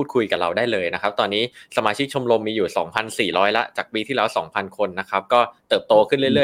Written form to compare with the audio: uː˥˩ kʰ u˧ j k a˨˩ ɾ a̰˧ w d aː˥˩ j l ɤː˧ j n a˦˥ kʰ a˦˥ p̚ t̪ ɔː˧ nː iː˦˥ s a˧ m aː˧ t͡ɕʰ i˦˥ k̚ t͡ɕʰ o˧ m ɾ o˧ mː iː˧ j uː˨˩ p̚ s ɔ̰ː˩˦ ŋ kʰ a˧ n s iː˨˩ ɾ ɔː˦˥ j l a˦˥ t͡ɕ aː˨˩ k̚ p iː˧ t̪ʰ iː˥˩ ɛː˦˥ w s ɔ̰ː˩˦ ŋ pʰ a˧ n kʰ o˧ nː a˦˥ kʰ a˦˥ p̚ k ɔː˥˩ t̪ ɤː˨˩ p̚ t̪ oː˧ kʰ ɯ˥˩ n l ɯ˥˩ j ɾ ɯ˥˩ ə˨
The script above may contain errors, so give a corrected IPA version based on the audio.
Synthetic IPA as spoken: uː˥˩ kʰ u˧ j k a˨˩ ɾ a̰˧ w d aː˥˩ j l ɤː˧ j n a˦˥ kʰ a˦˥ p̚ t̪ ɔː˧ nː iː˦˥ s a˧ m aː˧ t͡ɕʰ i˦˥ k̚ t͡ɕʰ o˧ m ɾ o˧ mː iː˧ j uː˨˩ s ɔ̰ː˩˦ ŋ pʰ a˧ n s iː˨˩ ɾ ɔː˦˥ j l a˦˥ t͡ɕ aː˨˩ k̚ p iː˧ t̪ʰ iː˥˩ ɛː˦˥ w s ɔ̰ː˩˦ ŋ pʰ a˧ n kʰ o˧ nː a˦˥ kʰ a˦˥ p̚ k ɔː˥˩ t̪ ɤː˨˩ p̚ t̪ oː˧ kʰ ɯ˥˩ n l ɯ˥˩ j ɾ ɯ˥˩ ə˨